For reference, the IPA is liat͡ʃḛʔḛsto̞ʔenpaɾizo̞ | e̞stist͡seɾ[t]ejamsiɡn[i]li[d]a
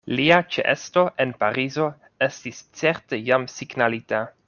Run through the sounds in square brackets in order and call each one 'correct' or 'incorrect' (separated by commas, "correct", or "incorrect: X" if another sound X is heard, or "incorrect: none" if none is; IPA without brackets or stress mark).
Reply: correct, incorrect: a, incorrect: t